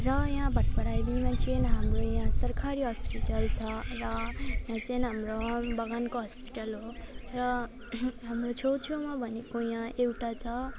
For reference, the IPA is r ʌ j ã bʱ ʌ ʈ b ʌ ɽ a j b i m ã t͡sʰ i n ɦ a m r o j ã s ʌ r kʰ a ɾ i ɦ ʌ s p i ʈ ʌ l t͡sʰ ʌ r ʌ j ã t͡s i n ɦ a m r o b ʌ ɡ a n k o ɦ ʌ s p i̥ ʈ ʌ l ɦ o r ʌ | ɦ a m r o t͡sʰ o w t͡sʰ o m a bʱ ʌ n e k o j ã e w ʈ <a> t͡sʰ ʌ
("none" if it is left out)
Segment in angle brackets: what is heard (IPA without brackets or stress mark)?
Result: a